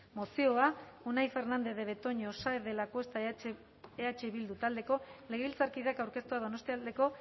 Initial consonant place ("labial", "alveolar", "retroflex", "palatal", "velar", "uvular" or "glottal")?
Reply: labial